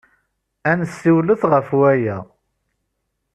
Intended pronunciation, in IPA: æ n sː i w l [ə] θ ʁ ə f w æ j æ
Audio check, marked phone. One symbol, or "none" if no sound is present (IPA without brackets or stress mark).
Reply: ə